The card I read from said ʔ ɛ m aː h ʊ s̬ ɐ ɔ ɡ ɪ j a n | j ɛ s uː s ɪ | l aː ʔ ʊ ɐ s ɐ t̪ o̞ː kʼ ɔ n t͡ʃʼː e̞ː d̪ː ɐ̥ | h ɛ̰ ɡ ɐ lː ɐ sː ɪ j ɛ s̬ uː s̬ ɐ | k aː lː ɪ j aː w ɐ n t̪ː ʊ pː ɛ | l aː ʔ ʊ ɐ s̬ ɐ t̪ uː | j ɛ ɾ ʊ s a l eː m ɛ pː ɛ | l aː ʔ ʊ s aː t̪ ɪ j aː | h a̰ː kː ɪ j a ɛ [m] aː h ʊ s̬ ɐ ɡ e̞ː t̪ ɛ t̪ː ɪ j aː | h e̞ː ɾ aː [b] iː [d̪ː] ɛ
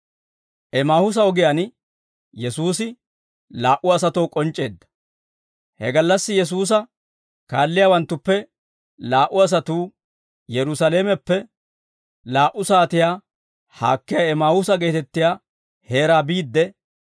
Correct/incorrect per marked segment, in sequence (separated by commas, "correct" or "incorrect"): correct, correct, correct